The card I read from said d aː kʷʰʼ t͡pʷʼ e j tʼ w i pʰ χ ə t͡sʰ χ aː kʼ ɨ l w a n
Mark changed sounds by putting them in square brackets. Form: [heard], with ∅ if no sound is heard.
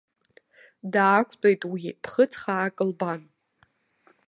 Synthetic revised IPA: d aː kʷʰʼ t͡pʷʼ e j tʼ w i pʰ χ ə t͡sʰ χ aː kʼ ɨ l [b] a n